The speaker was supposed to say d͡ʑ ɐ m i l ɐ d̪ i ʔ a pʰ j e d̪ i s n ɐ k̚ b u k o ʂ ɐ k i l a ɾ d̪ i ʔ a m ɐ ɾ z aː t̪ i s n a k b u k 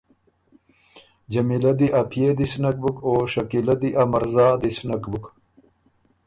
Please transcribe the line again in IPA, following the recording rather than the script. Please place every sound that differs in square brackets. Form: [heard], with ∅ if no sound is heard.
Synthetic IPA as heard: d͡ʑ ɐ m i l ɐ d̪ i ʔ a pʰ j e d̪ i s n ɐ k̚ b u k o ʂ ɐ k i l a [∅] d̪ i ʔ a m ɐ ɾ z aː [d̪] i s n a k b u k